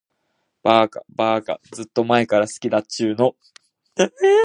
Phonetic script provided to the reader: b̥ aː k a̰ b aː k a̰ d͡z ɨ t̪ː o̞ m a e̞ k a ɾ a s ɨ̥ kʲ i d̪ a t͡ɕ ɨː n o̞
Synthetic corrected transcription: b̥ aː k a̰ b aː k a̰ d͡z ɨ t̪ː o̞ m a e̞ k a ɾ a s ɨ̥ kʲ i d̪ a t͡ɕ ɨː n o̞